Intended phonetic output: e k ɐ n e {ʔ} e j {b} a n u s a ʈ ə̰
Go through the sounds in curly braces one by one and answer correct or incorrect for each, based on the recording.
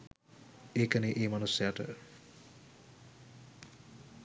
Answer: correct, incorrect: m

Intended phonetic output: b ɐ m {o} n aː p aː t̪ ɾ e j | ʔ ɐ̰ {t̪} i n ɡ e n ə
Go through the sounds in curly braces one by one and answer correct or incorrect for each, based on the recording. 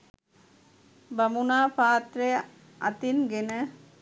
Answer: incorrect: u, correct

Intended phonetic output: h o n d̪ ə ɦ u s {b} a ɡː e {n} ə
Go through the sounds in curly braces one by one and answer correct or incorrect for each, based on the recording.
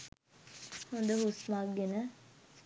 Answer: incorrect: m, correct

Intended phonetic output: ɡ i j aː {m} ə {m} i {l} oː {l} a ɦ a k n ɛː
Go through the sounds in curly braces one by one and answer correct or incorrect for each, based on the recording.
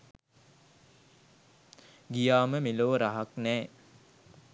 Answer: correct, correct, correct, incorrect: ɾ

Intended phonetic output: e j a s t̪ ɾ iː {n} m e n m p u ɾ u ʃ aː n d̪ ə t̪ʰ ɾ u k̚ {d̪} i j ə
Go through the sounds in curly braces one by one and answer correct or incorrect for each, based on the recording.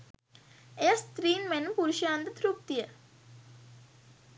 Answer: correct, incorrect: t̪

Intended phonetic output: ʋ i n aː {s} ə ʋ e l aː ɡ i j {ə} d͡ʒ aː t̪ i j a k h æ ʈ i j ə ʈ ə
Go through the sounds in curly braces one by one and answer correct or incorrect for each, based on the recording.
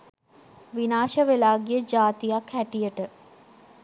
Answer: incorrect: ʃ, correct

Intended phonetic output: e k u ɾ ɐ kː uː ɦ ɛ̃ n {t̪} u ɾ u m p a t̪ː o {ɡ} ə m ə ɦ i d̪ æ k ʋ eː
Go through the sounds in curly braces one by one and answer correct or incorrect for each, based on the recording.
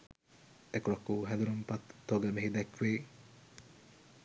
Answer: incorrect: d̪, correct

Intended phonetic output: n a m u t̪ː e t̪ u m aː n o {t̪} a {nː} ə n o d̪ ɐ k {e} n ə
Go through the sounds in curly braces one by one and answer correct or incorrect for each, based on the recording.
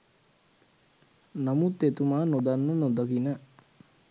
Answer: incorrect: d̪, correct, incorrect: i

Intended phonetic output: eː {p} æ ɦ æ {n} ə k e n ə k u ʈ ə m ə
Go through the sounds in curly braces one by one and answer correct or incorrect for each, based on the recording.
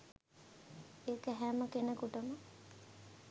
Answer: incorrect: k, incorrect: m

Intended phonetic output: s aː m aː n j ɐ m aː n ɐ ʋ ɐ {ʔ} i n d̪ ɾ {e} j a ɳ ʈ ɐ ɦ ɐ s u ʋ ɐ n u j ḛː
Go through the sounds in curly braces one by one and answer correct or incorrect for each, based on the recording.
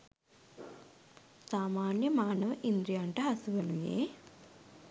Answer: correct, incorrect: i

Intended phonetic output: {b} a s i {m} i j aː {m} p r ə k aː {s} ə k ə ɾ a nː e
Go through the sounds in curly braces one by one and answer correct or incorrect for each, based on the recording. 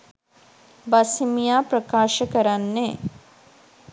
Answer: correct, correct, incorrect: none, incorrect: ʃ

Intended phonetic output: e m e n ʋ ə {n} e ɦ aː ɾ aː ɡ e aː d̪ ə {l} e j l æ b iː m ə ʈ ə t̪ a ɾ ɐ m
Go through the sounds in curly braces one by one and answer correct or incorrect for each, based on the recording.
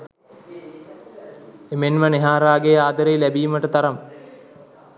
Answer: correct, incorrect: ɾ

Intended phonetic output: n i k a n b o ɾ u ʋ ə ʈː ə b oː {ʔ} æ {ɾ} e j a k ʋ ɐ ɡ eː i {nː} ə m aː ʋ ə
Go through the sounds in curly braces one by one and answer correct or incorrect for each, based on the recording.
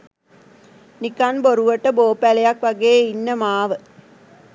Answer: incorrect: p, incorrect: l, correct

